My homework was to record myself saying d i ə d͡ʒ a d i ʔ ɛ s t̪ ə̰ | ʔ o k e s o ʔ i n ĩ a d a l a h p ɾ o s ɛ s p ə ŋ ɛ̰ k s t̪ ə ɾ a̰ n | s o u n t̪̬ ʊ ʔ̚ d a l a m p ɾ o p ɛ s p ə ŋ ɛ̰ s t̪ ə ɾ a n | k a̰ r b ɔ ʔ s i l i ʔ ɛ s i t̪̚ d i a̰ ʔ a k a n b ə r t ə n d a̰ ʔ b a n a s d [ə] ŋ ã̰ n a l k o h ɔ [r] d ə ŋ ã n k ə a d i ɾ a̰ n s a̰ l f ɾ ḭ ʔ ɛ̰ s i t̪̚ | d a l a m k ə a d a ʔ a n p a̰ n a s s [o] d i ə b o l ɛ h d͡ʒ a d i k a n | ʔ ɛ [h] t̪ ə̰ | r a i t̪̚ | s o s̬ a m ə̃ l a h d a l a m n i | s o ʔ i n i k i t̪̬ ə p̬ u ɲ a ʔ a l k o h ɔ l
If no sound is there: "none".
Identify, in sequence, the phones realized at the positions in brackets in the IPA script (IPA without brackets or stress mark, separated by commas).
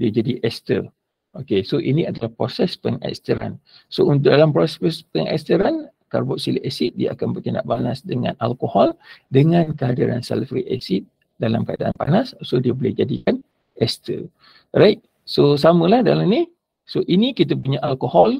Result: ə, l, o, s